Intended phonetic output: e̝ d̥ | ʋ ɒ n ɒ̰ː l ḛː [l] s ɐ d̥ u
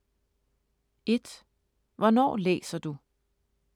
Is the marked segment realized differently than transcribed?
yes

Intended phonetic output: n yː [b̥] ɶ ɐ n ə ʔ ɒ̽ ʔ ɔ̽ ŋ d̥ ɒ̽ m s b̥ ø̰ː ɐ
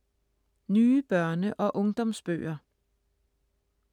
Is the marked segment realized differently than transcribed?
no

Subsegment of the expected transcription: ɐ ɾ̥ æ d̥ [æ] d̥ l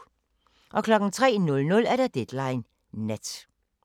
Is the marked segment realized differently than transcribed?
yes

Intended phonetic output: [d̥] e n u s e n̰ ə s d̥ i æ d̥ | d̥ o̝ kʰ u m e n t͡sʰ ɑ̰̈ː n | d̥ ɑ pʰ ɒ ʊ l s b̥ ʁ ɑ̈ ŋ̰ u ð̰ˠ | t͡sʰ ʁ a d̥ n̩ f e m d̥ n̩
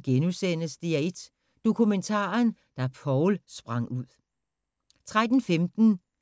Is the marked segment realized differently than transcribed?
yes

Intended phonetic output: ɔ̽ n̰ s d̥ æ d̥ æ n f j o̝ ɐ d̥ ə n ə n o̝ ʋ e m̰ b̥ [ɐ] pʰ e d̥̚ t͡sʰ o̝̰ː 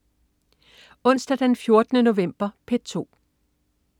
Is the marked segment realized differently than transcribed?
no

